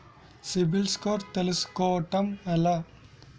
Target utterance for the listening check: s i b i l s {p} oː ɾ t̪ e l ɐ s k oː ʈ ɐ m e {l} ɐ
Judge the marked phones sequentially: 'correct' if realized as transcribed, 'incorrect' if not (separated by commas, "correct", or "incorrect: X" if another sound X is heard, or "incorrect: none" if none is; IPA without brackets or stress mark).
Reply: incorrect: k, correct